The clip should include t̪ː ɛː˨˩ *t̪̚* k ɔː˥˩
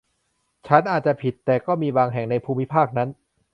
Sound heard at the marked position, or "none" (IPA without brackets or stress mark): none